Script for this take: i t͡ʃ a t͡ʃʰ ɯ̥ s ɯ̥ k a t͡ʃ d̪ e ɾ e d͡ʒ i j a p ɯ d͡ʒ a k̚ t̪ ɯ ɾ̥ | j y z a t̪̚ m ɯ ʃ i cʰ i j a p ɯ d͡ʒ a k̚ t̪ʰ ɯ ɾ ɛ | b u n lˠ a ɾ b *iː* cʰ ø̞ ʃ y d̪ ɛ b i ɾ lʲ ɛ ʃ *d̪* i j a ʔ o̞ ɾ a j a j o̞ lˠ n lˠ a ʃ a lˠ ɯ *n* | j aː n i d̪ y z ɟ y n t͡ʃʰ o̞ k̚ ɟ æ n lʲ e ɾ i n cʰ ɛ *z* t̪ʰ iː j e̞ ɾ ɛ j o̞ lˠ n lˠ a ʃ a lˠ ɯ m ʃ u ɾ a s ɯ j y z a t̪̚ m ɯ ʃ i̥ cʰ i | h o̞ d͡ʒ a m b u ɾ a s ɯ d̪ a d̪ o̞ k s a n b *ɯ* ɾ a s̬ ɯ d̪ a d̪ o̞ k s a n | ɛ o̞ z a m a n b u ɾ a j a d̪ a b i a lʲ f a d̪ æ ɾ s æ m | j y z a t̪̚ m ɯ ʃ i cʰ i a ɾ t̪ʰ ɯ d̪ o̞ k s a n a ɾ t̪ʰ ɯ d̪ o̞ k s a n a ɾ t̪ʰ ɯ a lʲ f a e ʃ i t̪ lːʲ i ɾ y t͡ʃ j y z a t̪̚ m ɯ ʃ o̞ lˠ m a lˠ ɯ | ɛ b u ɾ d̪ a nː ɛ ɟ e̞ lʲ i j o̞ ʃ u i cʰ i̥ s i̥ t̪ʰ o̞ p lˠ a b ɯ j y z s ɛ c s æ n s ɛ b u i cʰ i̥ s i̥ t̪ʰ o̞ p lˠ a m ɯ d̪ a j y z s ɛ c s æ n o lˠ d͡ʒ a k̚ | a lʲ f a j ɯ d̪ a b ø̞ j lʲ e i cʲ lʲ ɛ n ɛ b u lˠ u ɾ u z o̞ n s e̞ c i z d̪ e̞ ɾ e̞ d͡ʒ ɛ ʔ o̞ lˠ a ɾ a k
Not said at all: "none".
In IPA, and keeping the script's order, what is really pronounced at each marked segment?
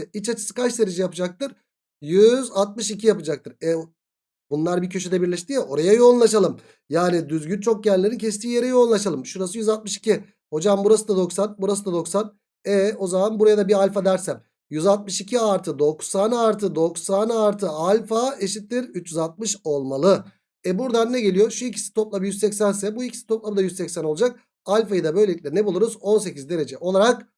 i, t̪, m, s, u

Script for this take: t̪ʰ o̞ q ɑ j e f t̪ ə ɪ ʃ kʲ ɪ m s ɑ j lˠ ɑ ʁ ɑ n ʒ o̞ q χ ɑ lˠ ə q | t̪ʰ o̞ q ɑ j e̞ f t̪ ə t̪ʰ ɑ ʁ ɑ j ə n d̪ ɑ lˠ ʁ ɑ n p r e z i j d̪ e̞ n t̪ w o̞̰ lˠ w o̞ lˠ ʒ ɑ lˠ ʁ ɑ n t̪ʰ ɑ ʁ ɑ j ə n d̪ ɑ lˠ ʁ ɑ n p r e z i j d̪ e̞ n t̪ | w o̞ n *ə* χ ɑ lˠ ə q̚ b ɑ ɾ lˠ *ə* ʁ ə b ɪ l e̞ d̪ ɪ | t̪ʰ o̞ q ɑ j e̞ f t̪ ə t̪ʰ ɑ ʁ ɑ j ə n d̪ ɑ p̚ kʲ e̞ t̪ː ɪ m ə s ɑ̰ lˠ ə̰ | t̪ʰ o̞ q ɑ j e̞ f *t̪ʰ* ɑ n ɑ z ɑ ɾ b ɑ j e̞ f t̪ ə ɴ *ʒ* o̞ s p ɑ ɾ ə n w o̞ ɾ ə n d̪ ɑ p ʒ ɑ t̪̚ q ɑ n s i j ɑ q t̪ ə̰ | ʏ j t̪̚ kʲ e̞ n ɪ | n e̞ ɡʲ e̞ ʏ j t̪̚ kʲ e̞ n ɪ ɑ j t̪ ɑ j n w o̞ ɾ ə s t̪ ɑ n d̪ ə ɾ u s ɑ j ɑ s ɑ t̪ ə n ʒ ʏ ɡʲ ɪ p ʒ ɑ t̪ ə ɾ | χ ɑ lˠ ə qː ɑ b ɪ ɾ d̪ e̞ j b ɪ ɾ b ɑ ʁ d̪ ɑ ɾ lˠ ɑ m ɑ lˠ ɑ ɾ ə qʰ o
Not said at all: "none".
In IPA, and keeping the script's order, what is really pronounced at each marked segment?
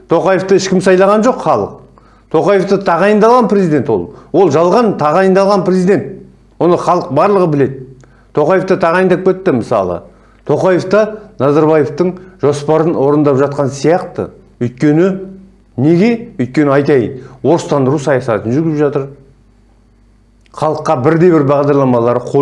ə, ə, t̪, ʒ

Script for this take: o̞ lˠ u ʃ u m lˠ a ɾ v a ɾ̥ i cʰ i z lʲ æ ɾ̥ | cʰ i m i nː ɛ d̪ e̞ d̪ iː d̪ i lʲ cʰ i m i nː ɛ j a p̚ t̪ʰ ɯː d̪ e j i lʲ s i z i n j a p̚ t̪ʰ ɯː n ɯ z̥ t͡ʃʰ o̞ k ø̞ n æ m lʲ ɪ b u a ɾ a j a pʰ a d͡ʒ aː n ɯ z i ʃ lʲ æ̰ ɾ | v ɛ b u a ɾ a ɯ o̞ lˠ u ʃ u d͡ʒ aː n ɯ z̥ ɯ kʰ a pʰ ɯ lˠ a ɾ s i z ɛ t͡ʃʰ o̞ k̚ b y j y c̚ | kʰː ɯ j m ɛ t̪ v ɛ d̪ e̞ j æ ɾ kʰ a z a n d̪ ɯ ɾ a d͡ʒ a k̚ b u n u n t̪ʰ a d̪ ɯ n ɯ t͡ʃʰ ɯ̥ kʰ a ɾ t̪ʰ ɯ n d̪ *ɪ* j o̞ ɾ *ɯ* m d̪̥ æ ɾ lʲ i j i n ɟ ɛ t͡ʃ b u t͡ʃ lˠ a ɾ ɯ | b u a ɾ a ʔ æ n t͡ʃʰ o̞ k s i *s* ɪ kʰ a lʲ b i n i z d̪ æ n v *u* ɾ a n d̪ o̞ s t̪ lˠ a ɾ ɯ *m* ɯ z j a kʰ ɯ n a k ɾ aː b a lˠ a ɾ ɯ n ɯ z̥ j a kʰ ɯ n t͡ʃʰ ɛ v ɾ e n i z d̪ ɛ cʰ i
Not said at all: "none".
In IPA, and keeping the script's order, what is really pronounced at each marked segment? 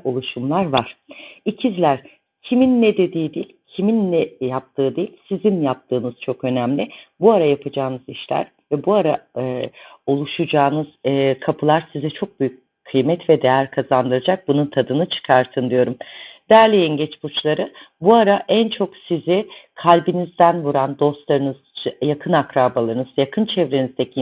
i, u, z, u, n

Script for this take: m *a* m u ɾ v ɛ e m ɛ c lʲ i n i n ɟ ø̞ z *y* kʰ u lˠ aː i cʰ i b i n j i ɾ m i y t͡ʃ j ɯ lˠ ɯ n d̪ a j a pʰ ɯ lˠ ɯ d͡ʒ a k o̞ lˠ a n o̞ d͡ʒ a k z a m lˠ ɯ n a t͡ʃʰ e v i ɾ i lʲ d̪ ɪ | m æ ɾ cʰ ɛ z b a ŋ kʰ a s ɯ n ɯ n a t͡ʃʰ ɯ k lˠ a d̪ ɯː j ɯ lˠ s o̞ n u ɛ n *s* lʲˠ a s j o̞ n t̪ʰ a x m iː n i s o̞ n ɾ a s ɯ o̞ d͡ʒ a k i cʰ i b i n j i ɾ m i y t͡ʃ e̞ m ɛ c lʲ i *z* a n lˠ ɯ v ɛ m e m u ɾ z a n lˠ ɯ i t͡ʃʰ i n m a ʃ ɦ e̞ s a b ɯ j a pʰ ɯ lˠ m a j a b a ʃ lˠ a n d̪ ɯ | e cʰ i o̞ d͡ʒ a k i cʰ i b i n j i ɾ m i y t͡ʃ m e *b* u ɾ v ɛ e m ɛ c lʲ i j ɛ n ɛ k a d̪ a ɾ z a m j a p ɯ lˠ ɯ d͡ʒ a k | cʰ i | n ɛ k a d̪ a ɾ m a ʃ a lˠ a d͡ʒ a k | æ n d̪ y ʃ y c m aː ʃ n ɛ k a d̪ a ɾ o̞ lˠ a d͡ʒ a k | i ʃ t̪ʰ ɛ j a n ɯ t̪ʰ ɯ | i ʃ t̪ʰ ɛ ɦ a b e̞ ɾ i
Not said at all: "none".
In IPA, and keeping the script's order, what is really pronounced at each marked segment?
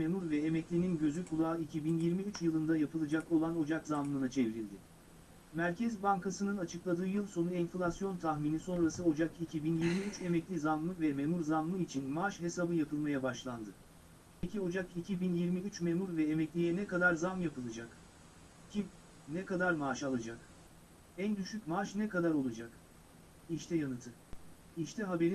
e, y, f, z, m

